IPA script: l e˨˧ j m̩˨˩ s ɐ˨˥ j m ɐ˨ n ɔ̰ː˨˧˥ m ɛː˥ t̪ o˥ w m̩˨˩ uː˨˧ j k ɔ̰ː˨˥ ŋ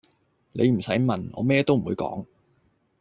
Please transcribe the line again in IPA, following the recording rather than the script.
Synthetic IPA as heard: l e˨˧ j m̩˨˩ s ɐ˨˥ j m ɐ˨ n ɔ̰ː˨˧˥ m ɛː˥ t̪ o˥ w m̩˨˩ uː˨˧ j k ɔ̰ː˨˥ ŋ